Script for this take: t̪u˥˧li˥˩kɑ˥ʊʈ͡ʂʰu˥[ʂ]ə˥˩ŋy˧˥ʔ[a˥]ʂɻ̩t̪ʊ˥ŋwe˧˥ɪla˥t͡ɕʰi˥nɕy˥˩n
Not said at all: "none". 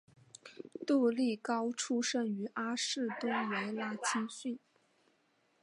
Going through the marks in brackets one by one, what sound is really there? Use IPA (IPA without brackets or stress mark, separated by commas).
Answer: ʂ, a˥